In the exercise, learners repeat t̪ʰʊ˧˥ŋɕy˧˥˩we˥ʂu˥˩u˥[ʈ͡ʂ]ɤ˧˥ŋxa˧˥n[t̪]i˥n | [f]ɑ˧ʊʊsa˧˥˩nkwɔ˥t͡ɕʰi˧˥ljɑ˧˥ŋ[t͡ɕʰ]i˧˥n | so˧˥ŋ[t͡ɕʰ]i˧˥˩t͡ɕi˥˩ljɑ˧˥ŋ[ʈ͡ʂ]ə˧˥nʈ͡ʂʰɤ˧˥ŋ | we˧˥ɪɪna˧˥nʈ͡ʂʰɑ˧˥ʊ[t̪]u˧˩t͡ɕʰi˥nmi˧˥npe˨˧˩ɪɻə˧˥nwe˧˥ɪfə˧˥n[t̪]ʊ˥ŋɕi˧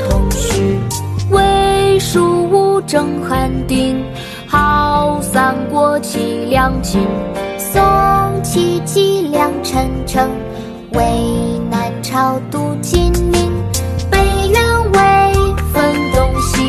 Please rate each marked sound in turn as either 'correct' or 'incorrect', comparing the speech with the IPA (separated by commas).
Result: correct, correct, incorrect, correct, correct, incorrect, correct, correct